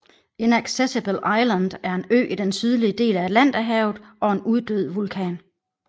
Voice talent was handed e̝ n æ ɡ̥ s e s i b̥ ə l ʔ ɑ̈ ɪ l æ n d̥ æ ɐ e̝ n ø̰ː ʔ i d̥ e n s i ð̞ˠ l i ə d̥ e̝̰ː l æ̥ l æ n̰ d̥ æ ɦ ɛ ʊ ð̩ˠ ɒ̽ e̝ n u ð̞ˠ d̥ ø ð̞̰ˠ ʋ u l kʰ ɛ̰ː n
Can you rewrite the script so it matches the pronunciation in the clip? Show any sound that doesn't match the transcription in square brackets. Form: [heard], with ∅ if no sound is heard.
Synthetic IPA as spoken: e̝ n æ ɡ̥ s e s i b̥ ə l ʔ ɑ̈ ɪ l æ n d̥ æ ɐ e̝ n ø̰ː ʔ i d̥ e n s [y] ð̞ˠ l i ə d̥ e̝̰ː l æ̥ l æ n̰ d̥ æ ɦ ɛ ʊ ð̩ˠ ɒ̽ e̝ n u ð̞ˠ d̥ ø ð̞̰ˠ ʋ u l kʰ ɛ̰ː n